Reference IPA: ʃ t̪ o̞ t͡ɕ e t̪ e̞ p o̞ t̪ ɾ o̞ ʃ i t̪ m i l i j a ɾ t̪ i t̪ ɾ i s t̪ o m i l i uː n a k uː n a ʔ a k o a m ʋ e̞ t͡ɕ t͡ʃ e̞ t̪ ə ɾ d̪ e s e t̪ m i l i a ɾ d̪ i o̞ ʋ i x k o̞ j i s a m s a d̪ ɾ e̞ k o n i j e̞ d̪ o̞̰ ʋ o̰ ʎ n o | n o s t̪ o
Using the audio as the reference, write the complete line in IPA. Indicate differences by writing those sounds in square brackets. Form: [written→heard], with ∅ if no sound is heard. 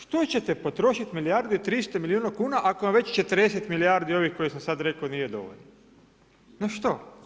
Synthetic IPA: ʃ t̪ o̞ t͡ɕ e t̪ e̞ p o̞ t̪ ɾ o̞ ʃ i t̪ m i l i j a ɾ [t̪→d̪] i t̪ ɾ i s t̪ o m i l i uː n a k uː n a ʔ a k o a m ʋ e̞ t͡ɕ t͡ʃ e̞ t̪ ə ɾ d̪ e s e t̪ m i l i a ɾ d̪ i o̞ ʋ i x k o̞ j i s a m s a d̪ ɾ e̞ k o n i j e̞ d̪ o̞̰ ʋ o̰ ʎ n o | n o [s→ʃ] t̪ o

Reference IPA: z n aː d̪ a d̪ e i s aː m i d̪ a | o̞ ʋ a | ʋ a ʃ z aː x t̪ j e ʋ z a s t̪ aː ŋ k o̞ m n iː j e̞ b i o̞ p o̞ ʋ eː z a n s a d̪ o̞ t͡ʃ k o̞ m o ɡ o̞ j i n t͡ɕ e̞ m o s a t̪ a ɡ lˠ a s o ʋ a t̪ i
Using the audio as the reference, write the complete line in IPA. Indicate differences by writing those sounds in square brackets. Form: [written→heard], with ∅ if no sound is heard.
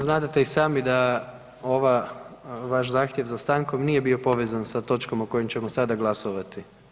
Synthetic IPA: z n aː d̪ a [d̪→t̪] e i s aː m i d̪ a | o̞ ʋ a | ʋ a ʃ z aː x t̪ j e ʋ z a s t̪ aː ŋ k o̞ m n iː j e̞ b i o̞ p o̞ ʋ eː z a n s a [d̪→t̪] o̞ t͡ʃ k o̞ m o [ɡ→k] o̞ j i [n→m] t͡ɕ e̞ m o s a [t̪→d̪] a ɡ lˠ a s o ʋ a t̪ i

